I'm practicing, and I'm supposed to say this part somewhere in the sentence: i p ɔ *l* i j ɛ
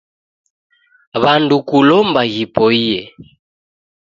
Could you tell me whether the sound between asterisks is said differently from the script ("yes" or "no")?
yes